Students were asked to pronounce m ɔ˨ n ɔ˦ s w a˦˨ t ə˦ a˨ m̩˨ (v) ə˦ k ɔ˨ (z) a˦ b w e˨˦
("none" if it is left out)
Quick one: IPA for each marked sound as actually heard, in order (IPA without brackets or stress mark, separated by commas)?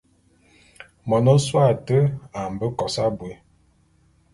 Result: b, s